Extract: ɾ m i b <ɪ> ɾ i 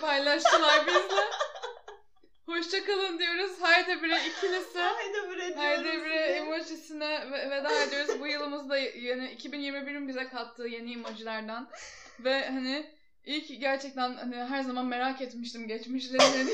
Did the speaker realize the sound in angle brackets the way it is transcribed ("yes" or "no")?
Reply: no